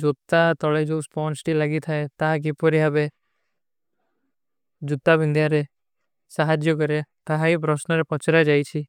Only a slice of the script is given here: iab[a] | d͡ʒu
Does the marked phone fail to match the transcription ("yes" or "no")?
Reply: yes